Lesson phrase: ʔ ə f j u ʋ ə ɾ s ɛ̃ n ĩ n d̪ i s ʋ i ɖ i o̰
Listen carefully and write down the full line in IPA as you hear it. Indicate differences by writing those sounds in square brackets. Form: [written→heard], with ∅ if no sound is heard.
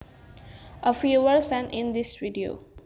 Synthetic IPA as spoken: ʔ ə f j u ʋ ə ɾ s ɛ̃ n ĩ n d̪ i s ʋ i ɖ i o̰